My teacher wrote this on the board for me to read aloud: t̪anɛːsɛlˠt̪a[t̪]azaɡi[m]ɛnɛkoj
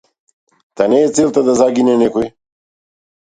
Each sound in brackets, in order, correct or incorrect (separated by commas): incorrect, incorrect